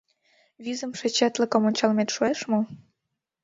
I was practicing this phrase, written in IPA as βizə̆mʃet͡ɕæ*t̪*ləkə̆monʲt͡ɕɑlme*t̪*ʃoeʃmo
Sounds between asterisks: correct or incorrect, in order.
correct, correct

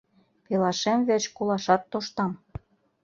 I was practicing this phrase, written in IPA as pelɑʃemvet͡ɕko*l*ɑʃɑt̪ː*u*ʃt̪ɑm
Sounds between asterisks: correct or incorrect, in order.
correct, incorrect: o

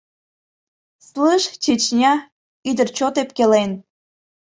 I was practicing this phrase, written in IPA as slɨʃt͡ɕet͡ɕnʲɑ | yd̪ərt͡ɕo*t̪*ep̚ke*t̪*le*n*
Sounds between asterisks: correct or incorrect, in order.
correct, incorrect: none, correct

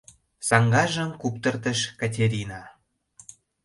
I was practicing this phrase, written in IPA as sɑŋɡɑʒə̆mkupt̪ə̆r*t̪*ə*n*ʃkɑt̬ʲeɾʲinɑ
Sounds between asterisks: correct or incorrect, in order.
correct, incorrect: none

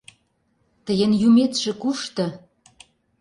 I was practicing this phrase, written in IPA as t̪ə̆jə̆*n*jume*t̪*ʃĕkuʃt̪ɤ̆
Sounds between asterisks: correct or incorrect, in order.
correct, correct

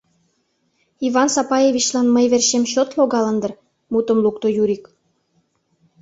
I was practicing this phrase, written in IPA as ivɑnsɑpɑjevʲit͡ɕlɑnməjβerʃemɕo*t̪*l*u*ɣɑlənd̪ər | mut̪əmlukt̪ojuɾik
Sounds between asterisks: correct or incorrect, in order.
correct, incorrect: o

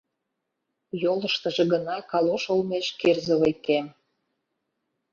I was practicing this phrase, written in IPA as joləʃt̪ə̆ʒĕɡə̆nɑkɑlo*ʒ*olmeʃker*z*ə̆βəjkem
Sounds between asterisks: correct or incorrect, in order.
incorrect: ʃ, correct

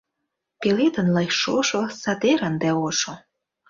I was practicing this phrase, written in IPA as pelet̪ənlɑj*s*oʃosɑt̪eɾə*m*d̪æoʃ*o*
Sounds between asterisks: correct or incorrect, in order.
incorrect: ʃ, incorrect: n, correct

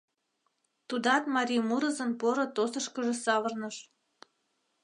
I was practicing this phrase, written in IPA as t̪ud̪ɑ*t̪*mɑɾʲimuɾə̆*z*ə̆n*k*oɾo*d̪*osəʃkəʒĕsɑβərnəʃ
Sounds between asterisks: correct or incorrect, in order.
correct, correct, incorrect: p, incorrect: t̪

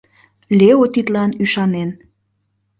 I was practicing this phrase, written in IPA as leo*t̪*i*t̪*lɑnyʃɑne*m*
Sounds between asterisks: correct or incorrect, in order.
correct, correct, incorrect: n

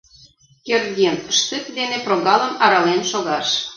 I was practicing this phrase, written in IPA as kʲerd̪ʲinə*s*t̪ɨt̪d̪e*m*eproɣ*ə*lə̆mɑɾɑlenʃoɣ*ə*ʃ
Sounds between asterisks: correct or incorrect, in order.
incorrect: ʃ, incorrect: n, incorrect: ɑ, incorrect: ɑ

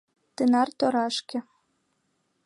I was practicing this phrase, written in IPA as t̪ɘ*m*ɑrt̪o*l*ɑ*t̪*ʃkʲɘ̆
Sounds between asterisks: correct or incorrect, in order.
incorrect: n, incorrect: ɾ, incorrect: none

